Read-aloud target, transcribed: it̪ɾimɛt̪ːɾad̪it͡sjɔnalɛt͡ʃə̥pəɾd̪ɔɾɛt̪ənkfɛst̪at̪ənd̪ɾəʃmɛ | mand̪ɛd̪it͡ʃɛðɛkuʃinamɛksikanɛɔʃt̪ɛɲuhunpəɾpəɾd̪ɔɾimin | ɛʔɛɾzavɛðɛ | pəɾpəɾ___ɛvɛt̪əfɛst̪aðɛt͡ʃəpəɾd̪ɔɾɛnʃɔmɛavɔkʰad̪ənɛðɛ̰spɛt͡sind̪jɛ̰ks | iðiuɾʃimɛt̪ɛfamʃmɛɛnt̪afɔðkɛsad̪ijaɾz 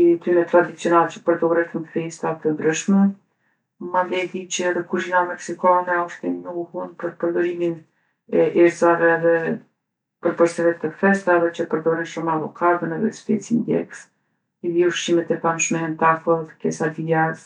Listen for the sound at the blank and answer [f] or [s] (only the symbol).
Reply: s